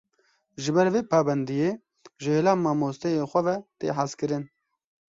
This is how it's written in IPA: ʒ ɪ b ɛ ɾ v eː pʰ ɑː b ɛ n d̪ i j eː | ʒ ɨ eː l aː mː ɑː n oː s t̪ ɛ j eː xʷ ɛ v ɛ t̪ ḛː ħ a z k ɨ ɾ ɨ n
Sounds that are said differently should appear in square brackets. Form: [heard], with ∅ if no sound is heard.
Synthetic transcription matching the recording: ʒ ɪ b ɛ ɾ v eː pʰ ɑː b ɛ n d̪ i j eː | ʒ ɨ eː l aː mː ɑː [m] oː s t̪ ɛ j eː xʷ ɛ v ɛ t̪ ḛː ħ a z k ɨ ɾ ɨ n